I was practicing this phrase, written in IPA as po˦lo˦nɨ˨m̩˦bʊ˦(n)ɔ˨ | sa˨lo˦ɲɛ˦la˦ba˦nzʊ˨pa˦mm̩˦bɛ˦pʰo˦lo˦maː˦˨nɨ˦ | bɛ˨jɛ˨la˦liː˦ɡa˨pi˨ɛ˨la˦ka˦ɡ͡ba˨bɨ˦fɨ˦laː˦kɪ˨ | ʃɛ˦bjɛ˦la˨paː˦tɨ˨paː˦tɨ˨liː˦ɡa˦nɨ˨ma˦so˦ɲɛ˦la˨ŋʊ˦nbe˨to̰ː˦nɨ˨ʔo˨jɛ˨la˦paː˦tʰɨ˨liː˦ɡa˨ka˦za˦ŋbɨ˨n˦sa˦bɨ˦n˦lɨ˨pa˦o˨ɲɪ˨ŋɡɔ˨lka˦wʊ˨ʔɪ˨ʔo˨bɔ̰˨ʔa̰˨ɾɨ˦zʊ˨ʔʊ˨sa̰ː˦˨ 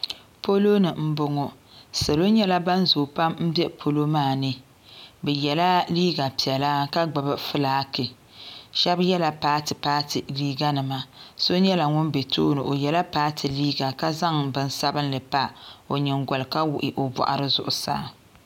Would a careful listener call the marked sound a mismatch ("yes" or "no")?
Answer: yes